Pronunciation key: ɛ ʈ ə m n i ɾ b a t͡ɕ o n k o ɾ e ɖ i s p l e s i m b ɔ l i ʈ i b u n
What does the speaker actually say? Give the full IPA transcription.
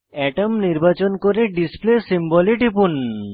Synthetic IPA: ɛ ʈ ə m n i ɾ b a t͡ɕ o n k o ɾ e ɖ i s p l e s i m b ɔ l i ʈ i p u n